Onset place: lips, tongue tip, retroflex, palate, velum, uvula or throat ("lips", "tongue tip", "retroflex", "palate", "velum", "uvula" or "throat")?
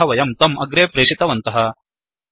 lips